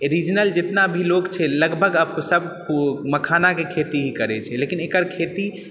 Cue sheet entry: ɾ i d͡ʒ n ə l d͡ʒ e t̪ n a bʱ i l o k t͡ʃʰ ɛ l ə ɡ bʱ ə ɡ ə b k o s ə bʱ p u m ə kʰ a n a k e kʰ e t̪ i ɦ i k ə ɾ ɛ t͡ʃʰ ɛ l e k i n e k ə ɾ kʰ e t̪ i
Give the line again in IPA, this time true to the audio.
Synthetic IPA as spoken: ɾ i d͡ʒ n ə l d͡ʒ e t̪ n a bʱ i l o k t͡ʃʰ ɛ l ə ɡ bʱ ə ɡ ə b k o s ə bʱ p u m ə kʰ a n a k e kʰ e t̪ i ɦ i k ə ɾ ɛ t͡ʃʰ ɛ l e k i n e k ə ɾ kʰ e t̪ i

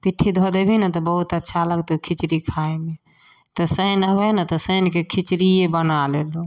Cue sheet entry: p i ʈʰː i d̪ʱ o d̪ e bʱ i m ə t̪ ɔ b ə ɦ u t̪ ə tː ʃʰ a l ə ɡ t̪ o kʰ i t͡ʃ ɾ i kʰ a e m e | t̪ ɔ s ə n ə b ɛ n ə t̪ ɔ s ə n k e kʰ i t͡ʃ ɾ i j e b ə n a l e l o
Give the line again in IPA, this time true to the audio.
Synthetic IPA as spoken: p i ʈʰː i d̪ʱ o d̪ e bʱ i n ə t̪ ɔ b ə ɦ u t̪ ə tː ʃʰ a l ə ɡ t̪ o kʰ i t͡ʃ ɾ i kʰ a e m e | t̪ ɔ s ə n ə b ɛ n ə t̪ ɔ s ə n k e kʰ i t͡ʃ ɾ i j e b ə n a l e l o

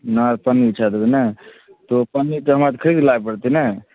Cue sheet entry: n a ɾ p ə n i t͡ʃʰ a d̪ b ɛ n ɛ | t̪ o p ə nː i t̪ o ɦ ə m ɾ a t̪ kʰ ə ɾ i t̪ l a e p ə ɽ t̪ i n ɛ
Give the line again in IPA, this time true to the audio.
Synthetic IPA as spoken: n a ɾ p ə n i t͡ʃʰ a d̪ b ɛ n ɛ | t̪ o p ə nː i t̪ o ɦ ə m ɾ a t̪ kʰ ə ɾ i d̪ l a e p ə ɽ t̪ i n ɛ

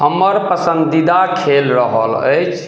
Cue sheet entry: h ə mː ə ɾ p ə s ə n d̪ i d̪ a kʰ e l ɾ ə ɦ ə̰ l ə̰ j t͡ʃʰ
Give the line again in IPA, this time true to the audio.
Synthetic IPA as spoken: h ə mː ə ɾ p ə s ə n d̪ i d̪ a kʰ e l ɾ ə ɦ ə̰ l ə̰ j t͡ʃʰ

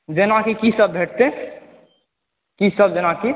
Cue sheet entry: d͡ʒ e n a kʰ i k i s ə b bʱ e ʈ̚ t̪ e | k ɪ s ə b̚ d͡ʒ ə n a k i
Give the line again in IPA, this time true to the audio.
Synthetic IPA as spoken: d͡ʒ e n a k i k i s ə b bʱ e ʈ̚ t̪ e | k i s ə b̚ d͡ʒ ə n a k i

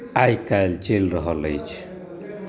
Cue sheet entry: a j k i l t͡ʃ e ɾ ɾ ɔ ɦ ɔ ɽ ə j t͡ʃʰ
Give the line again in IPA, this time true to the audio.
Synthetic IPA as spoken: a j k a l t͡ʃ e l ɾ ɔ ɦ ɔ l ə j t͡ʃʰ

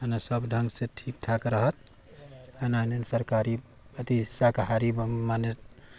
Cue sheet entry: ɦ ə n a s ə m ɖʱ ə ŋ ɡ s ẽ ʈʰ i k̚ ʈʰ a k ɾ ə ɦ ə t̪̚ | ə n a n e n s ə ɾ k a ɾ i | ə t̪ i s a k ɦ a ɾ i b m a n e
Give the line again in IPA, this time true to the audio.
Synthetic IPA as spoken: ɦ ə n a s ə b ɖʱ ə ŋ ɡ s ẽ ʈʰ i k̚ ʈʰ a k ɾ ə ɦ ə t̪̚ | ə n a n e n s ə ɾ k a ɾ i | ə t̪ i s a k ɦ a ɾ i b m a n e

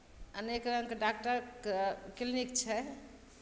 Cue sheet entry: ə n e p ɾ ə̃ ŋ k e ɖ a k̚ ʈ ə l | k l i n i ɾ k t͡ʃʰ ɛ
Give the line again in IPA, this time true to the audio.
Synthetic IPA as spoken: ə n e k ɾ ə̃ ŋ k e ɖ a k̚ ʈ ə ɾ | k l i n i k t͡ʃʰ ɛ

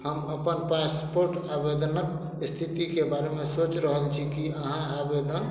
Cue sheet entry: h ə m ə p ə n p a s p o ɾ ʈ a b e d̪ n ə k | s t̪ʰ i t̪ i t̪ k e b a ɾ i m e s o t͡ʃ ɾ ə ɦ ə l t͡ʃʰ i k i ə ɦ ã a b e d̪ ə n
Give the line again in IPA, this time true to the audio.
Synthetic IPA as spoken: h ə m ə p ə n p a s p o ɾ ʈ a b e d̪ n ə k | s t̪ʰ i t̪ i k e b a ɾ e m e s o t͡ʃ ɾ ə ɦ ə l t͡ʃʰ i k i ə ɦ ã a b e d̪ ə n

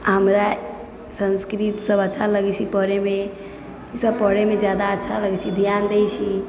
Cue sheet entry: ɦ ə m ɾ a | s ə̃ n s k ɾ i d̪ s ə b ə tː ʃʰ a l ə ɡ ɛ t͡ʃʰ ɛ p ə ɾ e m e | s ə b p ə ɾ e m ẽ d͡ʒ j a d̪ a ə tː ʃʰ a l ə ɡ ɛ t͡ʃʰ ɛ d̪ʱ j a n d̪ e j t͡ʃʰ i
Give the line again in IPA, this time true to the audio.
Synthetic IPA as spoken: ɦ ə m ɾ a | s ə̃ n s k ɾ i t̪ s ə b ə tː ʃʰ a l ə ɡ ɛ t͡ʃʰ i p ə ɾ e m e | s ə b p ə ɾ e m e d͡ʒ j a d̪ a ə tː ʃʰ a l ə ɡ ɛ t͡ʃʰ i d̪ʱ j a n d̪ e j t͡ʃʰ i

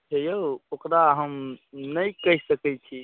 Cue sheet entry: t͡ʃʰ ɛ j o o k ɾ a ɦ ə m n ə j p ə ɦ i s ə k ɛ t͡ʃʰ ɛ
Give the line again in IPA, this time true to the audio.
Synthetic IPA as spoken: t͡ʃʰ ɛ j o o k ɾ a ɦ ə m n ə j k ə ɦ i s ə k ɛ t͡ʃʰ i

